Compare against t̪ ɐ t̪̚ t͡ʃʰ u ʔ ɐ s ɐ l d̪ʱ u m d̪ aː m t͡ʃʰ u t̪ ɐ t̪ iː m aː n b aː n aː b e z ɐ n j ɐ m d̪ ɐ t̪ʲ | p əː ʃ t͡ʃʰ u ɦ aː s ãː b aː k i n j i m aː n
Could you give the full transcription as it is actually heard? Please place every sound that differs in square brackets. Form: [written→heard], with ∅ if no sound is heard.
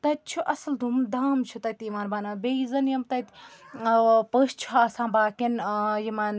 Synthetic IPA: t̪ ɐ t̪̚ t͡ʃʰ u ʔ ɐ s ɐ l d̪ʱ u m d̪ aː m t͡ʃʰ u t̪ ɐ t̪ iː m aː n b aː n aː b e z ɐ n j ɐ m [d̪→t̪] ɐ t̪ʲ | p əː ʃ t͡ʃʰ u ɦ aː s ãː b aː k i n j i m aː n